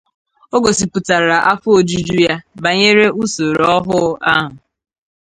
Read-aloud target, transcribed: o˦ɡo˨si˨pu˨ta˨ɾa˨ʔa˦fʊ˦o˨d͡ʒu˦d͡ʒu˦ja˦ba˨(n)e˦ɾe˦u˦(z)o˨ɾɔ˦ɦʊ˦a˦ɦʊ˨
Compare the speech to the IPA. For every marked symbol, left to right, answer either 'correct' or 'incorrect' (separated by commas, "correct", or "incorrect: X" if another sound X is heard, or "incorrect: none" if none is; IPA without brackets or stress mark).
incorrect: ɲ, incorrect: s